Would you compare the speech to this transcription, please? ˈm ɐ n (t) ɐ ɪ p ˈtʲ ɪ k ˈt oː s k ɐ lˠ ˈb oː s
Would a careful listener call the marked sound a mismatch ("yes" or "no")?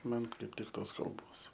yes